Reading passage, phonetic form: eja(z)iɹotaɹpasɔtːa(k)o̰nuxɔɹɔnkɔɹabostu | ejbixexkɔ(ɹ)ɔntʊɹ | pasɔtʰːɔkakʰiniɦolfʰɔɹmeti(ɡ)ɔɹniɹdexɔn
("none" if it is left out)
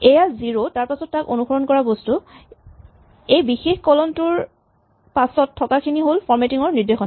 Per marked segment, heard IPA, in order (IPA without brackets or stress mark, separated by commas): z, k, l, ŋ